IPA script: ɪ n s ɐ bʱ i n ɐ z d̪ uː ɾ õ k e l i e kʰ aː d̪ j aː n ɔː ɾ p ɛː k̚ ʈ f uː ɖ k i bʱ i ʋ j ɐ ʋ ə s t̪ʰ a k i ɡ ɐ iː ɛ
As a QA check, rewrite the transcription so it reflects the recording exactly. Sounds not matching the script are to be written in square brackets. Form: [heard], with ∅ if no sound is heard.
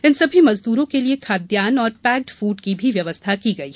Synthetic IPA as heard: ɪ n s ɐ bʱ i [m] ɐ z d̪ uː ɾ õ k e l i e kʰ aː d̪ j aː n ɔː ɾ p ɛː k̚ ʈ f uː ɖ k i bʱ i ʋ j ɐ ʋ ə s t̪ʰ a k i ɡ ɐ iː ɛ